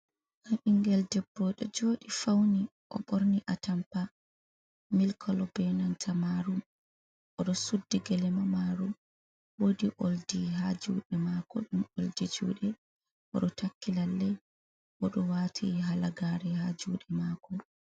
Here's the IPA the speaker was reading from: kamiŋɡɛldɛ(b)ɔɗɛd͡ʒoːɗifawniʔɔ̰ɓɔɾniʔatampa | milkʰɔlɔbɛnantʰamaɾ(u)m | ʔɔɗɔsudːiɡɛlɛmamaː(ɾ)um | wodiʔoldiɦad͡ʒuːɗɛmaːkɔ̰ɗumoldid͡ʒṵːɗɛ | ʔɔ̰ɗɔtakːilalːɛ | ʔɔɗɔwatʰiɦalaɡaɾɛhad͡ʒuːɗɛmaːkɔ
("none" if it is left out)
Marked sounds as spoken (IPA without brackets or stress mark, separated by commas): bː, u, ɾ